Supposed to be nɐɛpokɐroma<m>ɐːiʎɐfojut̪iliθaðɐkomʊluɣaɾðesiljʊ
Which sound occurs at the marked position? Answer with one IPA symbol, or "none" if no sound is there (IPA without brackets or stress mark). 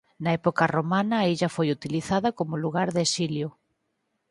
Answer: n